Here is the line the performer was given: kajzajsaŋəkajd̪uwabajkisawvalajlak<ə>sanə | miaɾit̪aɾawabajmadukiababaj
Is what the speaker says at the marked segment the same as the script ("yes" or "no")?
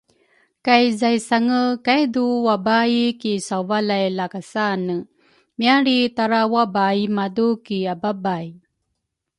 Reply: no